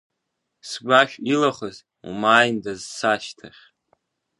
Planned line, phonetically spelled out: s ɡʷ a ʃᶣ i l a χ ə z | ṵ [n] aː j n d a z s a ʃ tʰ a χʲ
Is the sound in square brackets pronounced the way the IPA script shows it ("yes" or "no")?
no